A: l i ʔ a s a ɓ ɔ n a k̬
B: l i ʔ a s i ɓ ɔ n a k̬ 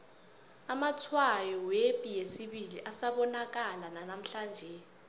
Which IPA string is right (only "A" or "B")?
A